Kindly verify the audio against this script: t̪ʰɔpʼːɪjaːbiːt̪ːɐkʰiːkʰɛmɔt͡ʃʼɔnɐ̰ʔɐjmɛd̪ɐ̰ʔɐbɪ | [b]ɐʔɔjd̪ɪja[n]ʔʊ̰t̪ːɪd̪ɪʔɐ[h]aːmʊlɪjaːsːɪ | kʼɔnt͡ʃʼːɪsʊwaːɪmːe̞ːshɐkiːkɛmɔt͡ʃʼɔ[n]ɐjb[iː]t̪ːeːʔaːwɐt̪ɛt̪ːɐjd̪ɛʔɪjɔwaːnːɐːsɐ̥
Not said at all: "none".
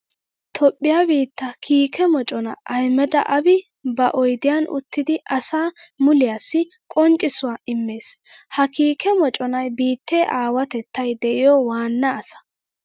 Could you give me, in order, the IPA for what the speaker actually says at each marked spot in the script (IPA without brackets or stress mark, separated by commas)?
b, n, s, n, iː